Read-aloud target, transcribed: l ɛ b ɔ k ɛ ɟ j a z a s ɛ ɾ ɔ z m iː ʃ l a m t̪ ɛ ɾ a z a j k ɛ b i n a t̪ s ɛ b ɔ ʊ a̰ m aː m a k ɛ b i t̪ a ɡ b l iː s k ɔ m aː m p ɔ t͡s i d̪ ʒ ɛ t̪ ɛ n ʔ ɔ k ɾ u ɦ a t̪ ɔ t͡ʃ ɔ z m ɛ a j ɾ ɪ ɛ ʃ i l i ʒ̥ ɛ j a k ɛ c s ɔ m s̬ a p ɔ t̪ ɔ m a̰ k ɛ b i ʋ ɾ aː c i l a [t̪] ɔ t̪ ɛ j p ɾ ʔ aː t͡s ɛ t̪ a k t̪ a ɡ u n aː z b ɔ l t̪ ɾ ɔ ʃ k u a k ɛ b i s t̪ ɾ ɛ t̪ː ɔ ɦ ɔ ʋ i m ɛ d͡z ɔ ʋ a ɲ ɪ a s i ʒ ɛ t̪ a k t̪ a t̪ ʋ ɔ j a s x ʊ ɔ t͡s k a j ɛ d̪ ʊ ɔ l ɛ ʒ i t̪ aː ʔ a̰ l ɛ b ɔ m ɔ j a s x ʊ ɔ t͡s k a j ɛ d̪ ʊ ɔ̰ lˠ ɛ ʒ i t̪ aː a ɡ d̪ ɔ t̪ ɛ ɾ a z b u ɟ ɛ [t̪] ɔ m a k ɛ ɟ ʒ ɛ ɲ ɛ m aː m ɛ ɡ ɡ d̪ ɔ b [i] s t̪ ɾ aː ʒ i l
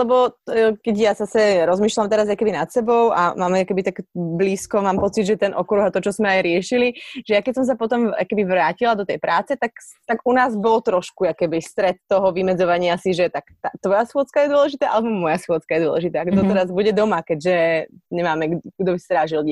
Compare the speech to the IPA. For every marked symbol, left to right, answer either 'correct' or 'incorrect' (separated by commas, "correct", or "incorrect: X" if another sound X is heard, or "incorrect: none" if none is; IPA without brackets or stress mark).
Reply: incorrect: d̪, incorrect: d̪, correct